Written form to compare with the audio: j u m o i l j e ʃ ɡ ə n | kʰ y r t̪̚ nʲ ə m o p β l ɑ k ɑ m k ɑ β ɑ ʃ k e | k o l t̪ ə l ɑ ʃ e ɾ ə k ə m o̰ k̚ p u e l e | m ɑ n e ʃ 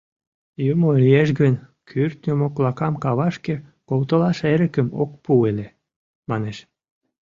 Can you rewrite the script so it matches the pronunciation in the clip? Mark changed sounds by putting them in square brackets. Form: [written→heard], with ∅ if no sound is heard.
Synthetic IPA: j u m o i l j e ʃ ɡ ə n | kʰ y r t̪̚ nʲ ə m o [p→k] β l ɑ k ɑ m k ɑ β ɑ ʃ k e | k o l t̪ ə l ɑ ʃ e ɾ ə k ə m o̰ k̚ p u e l e | m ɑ n e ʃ